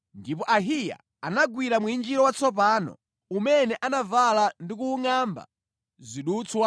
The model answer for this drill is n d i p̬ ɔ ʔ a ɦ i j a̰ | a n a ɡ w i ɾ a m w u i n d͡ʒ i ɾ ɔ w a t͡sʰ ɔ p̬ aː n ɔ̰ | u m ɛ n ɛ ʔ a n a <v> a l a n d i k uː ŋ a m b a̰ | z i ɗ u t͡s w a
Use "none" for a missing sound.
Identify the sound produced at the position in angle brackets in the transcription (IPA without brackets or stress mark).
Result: v